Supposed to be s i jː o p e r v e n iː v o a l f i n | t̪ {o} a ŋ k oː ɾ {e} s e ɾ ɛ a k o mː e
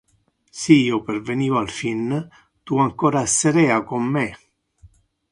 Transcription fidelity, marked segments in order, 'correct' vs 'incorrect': incorrect, incorrect

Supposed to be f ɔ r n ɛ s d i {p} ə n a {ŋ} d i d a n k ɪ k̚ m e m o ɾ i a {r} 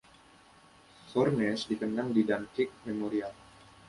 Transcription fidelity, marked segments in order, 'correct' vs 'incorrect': incorrect, correct, incorrect

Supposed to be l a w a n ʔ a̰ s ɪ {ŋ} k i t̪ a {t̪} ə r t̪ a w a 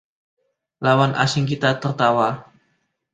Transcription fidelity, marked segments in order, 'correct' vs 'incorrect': correct, correct

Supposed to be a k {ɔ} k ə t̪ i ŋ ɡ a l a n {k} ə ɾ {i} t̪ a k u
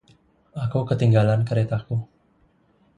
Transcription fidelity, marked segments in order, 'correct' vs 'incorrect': incorrect, correct, incorrect

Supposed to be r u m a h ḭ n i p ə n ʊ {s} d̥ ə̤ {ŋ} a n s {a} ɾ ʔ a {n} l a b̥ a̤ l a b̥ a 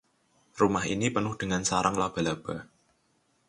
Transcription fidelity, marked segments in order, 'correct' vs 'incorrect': incorrect, correct, correct, incorrect

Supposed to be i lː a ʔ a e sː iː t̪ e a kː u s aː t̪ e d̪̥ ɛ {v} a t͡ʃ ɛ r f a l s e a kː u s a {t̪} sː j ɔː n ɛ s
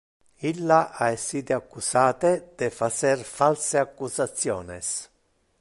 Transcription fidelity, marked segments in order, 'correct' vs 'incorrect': incorrect, correct

